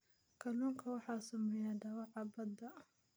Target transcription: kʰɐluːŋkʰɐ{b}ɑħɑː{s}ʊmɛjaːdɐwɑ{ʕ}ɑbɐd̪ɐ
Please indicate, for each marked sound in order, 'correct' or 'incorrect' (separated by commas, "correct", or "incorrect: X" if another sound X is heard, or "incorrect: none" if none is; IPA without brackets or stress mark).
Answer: incorrect: w, correct, correct